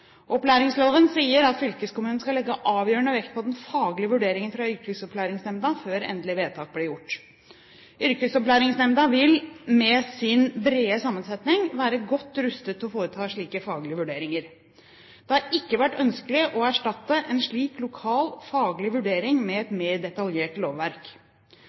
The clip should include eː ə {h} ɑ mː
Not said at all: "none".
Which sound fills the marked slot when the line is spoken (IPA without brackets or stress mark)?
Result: s